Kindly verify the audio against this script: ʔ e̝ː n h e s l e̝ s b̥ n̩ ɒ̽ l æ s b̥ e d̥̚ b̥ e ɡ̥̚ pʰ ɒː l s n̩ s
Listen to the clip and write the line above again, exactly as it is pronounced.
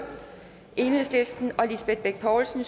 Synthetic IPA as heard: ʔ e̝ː n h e s l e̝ s d̥ n̩ ɒ̽ l i s b̥ e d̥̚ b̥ e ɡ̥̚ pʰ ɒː l s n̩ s